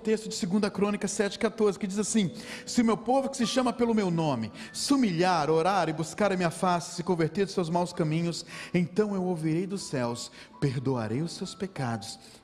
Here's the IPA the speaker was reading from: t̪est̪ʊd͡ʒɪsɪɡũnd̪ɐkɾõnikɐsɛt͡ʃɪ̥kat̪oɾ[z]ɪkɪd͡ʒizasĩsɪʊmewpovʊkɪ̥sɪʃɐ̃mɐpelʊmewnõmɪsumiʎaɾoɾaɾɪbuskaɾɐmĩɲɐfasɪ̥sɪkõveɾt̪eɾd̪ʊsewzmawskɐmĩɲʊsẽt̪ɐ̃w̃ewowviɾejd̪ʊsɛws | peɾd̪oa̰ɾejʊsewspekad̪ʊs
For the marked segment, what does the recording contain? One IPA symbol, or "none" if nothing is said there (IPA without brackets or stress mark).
z